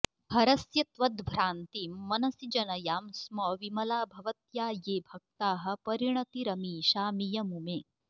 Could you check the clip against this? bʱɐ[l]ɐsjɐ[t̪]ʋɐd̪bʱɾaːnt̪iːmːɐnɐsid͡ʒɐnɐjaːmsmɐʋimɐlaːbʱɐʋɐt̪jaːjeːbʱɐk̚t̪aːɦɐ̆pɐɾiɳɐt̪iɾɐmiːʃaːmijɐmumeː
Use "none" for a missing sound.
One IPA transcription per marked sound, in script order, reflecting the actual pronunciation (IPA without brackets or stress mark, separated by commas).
ɾ, t̪